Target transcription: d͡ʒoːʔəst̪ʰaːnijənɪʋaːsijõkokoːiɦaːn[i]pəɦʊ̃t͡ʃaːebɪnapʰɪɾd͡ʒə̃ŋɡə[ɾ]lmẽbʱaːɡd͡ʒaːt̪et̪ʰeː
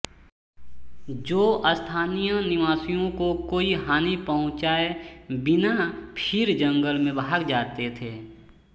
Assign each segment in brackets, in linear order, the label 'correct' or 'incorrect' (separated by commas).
correct, incorrect